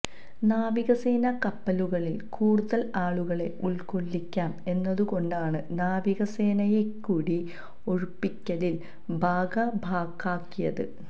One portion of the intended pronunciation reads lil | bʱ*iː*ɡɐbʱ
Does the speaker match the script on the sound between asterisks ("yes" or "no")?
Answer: no